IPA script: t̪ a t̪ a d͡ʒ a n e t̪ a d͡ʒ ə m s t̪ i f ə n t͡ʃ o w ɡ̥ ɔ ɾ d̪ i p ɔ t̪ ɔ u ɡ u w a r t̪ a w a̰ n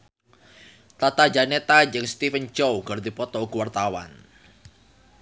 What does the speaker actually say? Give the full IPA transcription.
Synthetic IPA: t̪ a t̪ a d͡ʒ a n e t̪ a d͡ʒ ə ŋ s t̪ i f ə n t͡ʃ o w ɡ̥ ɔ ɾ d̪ i p ɔ t̪ ɔ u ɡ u w a r t̪ a w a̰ n